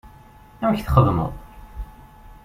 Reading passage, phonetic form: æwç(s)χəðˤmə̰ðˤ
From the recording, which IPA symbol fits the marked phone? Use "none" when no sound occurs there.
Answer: θ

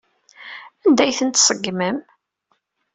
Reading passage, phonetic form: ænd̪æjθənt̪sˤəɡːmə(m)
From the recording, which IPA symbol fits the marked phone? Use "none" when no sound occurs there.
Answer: m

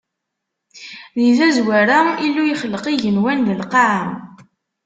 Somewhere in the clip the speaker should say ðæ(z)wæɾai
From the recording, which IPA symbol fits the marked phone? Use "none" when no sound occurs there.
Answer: z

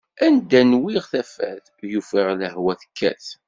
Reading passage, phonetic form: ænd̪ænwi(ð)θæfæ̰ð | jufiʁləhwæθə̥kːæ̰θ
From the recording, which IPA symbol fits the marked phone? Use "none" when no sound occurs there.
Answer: ʁ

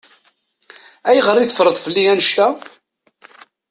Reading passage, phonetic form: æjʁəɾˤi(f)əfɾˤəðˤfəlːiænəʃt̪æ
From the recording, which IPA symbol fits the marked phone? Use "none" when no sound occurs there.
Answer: θ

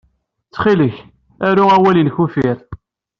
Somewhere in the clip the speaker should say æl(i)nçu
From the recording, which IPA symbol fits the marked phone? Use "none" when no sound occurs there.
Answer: i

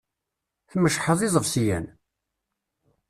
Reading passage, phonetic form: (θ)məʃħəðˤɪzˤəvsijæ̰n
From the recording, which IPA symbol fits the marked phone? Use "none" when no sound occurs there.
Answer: θ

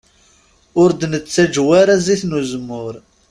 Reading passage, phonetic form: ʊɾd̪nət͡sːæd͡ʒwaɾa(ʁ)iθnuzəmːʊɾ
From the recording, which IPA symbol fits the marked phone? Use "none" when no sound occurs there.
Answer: z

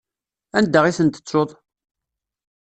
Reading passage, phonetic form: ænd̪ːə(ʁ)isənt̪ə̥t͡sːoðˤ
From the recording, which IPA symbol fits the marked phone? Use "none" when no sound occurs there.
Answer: ʁ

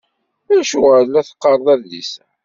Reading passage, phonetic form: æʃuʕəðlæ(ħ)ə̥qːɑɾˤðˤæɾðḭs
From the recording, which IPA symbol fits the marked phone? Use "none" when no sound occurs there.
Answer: θ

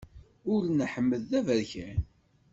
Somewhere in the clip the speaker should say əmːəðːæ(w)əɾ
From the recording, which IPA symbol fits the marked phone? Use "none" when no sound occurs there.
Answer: v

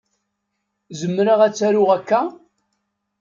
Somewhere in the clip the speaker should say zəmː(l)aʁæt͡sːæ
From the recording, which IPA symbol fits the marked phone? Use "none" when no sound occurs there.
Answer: ɾ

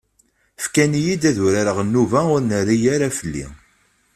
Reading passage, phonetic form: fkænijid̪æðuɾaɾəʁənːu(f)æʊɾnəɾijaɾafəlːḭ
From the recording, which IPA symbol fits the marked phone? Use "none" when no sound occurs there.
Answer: v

